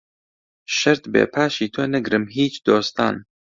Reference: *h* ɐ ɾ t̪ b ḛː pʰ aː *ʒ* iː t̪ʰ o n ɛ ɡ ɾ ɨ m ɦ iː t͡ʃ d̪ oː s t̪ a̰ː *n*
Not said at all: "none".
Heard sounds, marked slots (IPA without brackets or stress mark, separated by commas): ʃ, ʃ, n